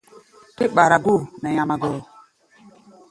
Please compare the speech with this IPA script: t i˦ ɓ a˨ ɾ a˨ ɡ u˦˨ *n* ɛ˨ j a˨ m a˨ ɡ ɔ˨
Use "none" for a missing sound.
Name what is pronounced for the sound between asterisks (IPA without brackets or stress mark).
n